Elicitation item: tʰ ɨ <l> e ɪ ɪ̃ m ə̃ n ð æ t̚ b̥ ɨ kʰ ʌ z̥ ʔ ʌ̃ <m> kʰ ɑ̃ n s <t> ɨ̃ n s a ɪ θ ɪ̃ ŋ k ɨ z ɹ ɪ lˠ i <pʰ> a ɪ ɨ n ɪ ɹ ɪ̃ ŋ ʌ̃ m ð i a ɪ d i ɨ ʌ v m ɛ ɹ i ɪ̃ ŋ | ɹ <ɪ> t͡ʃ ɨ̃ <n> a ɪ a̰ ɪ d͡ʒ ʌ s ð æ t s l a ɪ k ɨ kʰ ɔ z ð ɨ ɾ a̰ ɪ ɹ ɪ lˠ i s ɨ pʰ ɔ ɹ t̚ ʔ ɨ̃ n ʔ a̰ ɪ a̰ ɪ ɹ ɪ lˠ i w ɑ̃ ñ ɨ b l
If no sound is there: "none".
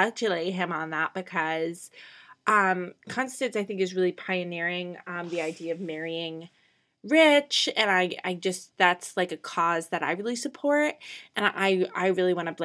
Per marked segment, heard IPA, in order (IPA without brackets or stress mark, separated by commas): l, m, t, pʰ, ɪ, n